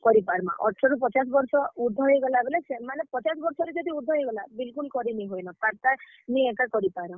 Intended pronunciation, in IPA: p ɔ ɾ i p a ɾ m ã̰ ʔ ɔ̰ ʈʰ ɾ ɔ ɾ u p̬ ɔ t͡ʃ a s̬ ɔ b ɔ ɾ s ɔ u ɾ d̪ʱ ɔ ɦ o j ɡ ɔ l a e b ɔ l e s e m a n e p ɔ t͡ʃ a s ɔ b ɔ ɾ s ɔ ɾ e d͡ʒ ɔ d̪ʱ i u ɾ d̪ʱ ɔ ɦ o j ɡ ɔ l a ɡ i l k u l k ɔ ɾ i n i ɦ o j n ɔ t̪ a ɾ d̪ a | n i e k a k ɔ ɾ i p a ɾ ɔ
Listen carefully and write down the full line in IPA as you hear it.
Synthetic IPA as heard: k ɔ ɾ i p a ɾ m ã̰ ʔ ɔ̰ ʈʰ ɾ ɔ ɾ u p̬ ɔ t͡ʃ a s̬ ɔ b ɔ ɾ s ɔ u ɾ d̪ʱ ɔ ɦ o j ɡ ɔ l a e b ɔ l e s e m a n e p ɔ t͡ʃ a s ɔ b ɔ ɾ s ɔ ɾ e d͡ʒ ɔ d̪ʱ i u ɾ d̪ʱ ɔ ɦ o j ɡ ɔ l a b i l k u l k ɔ ɾ i n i ɦ o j n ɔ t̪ a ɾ t̪ a | n i e k a k ɔ ɾ i p a ɾ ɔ